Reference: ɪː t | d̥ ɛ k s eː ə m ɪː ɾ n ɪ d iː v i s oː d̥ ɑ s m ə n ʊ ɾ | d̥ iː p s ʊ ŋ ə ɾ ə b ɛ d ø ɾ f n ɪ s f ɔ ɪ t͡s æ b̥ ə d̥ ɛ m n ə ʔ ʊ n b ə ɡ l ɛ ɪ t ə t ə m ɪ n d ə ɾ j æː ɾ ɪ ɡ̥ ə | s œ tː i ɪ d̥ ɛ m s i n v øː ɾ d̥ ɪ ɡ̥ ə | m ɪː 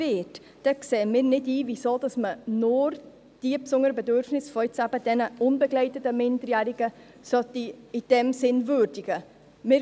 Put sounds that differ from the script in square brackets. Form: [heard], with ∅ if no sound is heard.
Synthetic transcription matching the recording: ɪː t | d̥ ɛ k s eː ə m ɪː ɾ n ɪ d iː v i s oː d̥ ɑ s m ə n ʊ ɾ | d̥ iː p s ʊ ŋ ə ɾ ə b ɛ d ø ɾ f n ɪ s f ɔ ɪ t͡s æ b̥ ə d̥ ɛ [∅] n ə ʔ ʊ n b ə ɡ l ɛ ɪ t ə t ə m ɪ n d ə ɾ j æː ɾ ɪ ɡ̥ ə | s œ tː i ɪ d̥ ɛ m s [ɪ] n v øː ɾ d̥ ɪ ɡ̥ ə | m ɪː